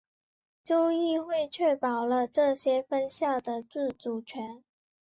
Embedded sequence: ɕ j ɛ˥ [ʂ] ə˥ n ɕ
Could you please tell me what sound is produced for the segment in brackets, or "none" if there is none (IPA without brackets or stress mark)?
f